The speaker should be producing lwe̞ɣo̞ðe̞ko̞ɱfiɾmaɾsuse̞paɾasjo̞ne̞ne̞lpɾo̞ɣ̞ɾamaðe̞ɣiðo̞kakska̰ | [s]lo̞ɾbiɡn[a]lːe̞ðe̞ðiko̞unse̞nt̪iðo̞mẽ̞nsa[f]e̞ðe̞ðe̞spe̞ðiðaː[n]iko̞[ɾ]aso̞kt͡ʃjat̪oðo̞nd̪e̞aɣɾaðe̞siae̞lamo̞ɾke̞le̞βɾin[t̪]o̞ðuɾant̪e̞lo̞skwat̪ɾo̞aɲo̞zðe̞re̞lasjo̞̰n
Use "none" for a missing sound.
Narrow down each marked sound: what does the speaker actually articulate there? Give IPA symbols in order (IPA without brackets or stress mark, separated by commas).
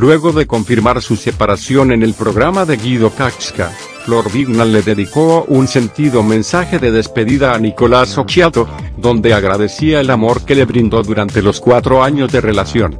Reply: f, a, x, n, l, d̪